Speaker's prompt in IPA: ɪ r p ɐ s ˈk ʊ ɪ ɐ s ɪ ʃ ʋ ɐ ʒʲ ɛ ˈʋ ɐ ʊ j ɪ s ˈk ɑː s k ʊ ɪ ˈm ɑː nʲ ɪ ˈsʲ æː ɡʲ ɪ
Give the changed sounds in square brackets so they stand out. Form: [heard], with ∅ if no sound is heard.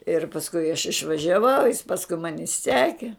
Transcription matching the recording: ɪ r p ɐ s ˈk ʊ ɪ ɐ [ʃ] ɪ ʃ ʋ ɐ ʒʲ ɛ ˈʋ ɐ ʊ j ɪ s [ˈp] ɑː s k ʊ ɪ ˈm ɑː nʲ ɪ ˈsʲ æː [kʲ] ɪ